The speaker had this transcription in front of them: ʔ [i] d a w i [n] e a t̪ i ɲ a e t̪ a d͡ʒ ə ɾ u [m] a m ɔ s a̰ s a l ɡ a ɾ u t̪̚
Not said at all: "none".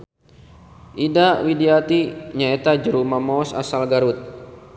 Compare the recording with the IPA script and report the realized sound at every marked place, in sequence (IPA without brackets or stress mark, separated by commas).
i, d, m